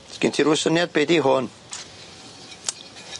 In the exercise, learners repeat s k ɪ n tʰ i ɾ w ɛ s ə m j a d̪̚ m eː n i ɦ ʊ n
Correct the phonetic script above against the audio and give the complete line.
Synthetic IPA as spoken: s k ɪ n tʰ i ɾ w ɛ s ə n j a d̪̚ b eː d i ɦ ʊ n